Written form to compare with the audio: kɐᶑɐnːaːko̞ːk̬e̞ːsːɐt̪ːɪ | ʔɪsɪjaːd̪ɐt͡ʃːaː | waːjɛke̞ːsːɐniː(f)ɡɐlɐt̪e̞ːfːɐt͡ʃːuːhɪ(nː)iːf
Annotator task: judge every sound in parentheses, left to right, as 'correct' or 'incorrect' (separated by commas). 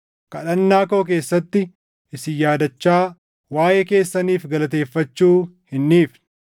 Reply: correct, correct